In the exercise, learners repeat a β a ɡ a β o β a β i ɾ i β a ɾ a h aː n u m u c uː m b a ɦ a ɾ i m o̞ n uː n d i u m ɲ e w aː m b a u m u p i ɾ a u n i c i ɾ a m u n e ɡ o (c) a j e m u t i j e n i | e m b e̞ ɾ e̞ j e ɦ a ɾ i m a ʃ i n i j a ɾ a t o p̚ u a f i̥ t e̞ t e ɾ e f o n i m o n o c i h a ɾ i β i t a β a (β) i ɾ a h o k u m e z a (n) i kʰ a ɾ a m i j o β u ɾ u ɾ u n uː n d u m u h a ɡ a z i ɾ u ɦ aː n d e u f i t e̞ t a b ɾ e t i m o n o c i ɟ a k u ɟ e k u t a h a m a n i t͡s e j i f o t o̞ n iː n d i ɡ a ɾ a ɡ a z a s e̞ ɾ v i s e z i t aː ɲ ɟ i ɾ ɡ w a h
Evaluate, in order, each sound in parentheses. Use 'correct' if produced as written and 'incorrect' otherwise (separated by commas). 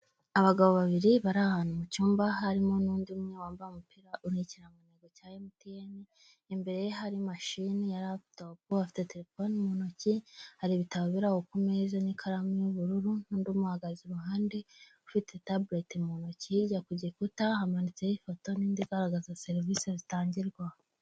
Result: correct, correct, correct